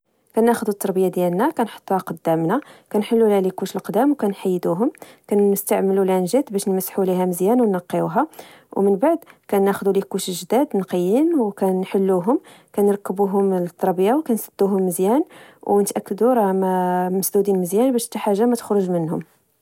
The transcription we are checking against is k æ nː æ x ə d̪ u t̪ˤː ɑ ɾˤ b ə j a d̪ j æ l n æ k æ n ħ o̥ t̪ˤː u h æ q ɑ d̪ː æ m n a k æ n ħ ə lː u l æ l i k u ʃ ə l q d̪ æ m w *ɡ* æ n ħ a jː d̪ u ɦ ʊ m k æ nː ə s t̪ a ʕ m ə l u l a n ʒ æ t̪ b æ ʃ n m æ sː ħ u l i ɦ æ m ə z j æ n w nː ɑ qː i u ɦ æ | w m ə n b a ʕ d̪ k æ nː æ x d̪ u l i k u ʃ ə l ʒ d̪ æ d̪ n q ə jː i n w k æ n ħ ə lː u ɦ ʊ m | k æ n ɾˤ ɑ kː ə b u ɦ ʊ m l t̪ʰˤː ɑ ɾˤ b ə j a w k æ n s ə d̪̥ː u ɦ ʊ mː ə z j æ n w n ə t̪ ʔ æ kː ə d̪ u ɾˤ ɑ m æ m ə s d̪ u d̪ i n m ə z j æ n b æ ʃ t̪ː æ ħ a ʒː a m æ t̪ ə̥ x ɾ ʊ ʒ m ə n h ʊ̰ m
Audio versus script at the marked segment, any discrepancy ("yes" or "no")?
yes